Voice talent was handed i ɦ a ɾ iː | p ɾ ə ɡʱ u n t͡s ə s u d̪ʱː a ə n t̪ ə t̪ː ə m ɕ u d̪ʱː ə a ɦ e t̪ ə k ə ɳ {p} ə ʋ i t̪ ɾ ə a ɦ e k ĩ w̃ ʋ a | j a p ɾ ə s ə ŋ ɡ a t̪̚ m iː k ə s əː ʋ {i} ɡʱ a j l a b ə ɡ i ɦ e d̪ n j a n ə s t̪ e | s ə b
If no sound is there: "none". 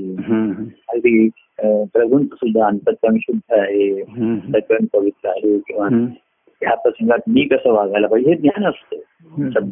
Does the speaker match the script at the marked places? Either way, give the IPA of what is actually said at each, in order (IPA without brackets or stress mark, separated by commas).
p, a